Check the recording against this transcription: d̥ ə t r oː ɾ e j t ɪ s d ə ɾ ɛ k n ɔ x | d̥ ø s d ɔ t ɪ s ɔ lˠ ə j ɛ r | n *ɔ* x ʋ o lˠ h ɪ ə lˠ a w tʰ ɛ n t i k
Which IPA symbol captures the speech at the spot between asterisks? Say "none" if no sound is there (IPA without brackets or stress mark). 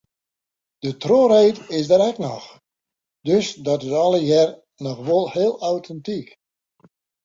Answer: ɔ